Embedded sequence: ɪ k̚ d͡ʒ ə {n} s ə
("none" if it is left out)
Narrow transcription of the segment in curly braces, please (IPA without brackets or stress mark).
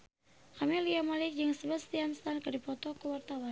ŋ